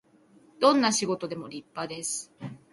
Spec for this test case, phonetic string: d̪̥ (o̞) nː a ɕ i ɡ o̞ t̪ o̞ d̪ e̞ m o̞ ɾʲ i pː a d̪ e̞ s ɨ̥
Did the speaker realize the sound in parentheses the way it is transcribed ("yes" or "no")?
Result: no